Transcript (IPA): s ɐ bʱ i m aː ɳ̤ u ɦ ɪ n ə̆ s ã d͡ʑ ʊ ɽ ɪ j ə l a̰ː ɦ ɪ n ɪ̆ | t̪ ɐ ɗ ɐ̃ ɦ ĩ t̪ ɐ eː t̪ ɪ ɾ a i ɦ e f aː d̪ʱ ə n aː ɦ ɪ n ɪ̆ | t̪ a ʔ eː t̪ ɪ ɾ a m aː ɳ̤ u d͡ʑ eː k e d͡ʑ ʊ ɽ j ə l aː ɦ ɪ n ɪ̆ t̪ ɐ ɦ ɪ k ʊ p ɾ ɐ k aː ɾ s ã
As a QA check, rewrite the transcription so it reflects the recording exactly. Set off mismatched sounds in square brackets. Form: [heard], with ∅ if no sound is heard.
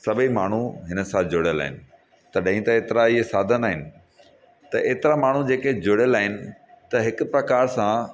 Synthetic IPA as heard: s ɐ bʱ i m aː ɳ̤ u ɦ ɪ n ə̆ s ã d͡ʑ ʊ ɽ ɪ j ə l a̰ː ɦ ɪ n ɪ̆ | t̪ ɐ ɗ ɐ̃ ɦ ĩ t̪ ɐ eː t̪ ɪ ɾ a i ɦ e [s] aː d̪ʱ ə n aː ɦ ɪ n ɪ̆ | t̪ [ɐ] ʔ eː t̪ ɪ ɾ a m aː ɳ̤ u d͡ʑ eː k e d͡ʑ ʊ ɽ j ə l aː ɦ ɪ n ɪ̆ t̪ ɐ ɦ ɪ k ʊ p ɾ ɐ k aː ɾ s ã